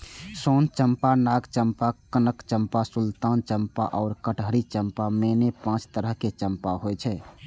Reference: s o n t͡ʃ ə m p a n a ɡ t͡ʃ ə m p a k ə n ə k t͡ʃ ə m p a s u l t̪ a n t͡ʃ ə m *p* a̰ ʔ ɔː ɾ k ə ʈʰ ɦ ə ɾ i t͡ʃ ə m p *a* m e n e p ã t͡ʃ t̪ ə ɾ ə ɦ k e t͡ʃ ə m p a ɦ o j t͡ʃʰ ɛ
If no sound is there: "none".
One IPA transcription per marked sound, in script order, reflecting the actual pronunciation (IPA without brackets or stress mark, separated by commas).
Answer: p, a